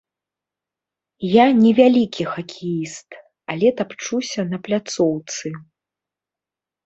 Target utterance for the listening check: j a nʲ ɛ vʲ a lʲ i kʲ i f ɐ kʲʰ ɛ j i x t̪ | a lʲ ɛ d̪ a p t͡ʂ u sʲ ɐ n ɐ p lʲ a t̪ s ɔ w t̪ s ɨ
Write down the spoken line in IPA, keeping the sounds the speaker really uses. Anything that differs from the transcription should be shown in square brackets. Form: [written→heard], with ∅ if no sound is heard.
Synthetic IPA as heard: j a nʲ ɛ vʲ a lʲ i kʲ i [f→x] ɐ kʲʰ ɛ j i [x→s] t̪ | a lʲ ɛ [d̪→t̪] a p t͡ʂ u sʲ ɐ n ɐ p lʲ a t̪ s ɔ w t̪ s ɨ